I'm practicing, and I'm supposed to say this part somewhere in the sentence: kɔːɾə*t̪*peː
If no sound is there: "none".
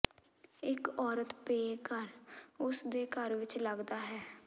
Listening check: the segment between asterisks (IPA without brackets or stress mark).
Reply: t̪